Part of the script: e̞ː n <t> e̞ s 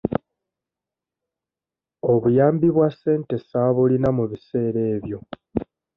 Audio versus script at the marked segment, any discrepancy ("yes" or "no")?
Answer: no